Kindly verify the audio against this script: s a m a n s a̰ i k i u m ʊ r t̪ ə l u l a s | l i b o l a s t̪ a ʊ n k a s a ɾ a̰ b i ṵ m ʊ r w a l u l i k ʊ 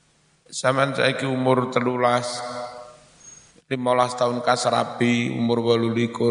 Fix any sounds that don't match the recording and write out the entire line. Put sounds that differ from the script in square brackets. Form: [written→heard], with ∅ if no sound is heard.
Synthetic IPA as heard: s a m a n s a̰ i k i u m ʊ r t̪ ə l u l a s | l i [b→m] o l a s t̪ a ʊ n k a s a ɾ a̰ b i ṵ m ʊ r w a l u l i k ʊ